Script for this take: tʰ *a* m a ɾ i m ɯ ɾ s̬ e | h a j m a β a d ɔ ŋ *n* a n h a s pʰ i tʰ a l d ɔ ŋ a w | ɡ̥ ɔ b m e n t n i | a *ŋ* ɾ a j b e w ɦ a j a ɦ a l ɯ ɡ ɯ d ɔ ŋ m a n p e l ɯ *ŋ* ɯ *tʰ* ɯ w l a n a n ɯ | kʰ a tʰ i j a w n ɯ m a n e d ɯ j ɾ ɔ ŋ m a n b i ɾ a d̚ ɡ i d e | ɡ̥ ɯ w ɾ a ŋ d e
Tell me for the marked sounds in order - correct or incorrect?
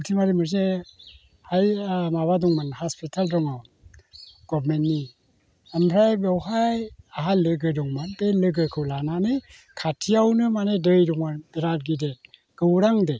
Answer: incorrect: i, incorrect: m, incorrect: m, incorrect: ɡ, incorrect: kʰ

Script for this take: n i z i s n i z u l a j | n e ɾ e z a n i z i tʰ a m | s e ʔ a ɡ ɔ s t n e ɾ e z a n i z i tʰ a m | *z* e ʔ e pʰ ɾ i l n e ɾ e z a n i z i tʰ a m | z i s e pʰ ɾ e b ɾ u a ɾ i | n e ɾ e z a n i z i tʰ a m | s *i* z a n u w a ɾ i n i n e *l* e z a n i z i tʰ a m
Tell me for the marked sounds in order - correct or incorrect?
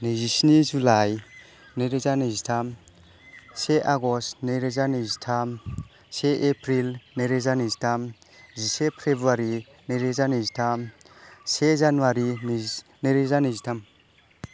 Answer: incorrect: s, incorrect: e, incorrect: ɾ

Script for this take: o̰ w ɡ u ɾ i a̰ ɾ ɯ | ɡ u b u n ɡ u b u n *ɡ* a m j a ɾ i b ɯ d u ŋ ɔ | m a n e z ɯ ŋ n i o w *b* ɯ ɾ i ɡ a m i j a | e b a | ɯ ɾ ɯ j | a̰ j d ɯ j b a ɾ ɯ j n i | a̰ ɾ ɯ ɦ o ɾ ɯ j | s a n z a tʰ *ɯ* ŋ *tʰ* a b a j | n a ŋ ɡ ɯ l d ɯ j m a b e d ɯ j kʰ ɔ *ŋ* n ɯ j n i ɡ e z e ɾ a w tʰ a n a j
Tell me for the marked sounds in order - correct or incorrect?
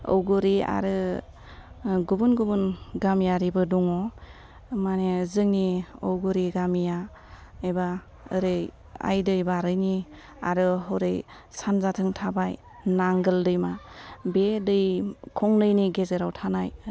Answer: correct, incorrect: ɡ, correct, correct, correct

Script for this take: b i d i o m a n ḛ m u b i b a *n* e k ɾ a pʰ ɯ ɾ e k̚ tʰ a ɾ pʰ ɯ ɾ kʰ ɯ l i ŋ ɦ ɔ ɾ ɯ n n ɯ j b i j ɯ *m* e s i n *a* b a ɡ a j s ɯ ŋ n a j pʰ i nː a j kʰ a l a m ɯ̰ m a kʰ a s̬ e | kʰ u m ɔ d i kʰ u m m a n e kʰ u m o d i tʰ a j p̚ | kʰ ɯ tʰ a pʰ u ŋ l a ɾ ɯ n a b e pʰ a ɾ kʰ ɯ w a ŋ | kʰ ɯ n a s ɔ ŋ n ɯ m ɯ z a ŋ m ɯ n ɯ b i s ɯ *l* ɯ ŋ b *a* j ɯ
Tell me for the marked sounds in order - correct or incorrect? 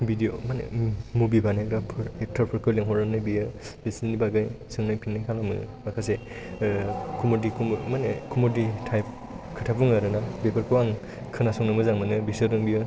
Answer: correct, incorrect: b, incorrect: i, incorrect: ɾ, incorrect: i

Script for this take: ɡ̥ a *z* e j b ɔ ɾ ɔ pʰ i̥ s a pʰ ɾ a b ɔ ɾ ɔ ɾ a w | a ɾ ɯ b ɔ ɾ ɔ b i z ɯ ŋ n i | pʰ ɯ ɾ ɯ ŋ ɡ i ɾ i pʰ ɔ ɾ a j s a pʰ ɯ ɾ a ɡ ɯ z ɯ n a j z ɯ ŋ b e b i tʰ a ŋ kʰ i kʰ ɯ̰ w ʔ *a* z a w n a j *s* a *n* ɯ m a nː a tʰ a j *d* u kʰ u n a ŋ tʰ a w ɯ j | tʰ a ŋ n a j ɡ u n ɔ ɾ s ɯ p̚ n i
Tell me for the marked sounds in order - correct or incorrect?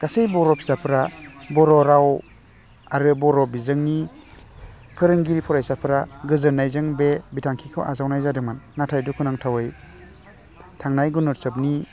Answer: incorrect: s, correct, incorrect: z, incorrect: d, correct

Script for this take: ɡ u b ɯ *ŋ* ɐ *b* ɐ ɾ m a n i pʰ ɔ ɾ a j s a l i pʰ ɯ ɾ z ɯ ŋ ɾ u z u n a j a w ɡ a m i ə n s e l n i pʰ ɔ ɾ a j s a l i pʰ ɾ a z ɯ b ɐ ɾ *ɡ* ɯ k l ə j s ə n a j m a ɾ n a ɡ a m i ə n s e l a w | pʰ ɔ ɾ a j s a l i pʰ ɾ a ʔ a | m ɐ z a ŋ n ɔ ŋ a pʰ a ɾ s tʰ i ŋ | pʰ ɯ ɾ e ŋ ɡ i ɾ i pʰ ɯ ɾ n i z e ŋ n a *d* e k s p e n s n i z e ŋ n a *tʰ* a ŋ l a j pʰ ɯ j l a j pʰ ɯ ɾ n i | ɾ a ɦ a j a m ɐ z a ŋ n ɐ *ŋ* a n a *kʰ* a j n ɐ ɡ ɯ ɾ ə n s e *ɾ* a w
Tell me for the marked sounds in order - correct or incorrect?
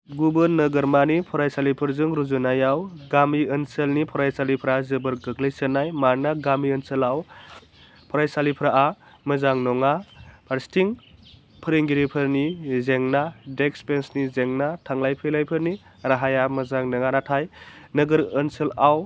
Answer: incorrect: n, incorrect: ɡ, correct, correct, correct, correct, incorrect: tʰ, incorrect: l

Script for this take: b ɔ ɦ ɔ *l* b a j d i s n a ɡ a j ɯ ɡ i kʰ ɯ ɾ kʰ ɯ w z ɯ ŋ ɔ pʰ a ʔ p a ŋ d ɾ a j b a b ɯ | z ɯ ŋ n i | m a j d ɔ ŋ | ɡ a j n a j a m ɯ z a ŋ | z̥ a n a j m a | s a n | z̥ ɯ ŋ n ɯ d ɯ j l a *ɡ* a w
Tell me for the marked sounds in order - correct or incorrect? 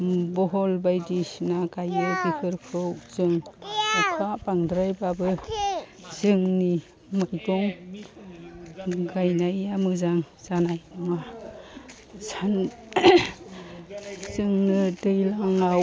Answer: correct, incorrect: ŋ

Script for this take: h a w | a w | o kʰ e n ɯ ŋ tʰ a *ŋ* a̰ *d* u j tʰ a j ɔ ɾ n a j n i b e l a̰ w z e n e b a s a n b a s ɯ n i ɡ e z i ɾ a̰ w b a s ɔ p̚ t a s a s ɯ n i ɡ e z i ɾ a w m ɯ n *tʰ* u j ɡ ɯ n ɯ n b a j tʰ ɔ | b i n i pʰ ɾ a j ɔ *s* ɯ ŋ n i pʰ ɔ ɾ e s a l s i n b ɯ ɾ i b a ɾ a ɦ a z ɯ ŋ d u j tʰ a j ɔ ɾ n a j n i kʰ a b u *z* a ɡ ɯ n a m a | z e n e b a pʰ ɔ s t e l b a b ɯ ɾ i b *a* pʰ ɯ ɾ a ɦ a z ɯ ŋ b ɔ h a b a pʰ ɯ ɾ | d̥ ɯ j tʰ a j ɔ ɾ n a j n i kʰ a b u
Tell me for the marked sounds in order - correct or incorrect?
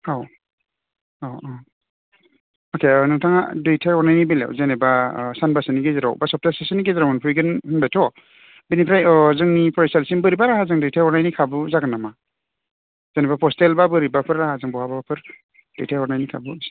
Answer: correct, correct, incorrect: pʰ, incorrect: z, correct, correct

